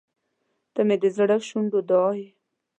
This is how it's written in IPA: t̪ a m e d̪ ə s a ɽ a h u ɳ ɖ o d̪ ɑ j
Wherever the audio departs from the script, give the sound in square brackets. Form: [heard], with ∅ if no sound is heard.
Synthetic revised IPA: t̪ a m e d̪ ə [z] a ɽ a [ʃ] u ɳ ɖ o d̪ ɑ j